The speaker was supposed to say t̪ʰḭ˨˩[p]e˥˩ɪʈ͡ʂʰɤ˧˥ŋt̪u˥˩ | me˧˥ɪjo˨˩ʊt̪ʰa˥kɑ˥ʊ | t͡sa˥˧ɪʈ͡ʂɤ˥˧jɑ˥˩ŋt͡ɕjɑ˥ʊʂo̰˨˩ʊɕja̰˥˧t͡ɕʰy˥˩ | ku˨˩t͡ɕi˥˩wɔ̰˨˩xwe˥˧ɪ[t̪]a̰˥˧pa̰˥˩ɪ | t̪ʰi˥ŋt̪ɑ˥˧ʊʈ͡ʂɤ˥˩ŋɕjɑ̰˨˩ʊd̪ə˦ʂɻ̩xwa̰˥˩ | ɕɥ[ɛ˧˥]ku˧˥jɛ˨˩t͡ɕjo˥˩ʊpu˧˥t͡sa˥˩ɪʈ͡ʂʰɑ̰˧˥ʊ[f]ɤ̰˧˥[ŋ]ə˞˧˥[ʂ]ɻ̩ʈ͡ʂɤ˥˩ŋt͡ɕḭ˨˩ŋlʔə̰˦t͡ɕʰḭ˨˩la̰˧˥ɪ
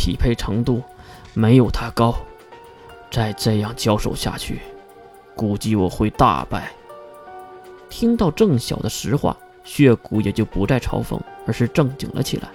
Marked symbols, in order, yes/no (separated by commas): no, yes, no, yes, yes, yes